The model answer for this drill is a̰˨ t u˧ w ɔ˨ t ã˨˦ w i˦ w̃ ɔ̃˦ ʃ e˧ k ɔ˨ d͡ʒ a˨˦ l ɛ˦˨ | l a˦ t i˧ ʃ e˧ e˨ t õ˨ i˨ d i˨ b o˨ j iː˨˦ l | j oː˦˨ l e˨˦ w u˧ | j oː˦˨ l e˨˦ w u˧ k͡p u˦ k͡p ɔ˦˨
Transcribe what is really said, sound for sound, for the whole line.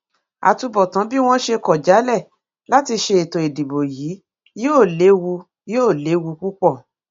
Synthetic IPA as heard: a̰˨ t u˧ b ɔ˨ t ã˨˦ b i˦ w̃ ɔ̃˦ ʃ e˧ k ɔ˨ d͡ʒ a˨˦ l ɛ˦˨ | l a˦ t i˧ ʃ e˧ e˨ t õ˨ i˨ d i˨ b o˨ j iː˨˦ | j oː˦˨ l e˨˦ w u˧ | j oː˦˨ l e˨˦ w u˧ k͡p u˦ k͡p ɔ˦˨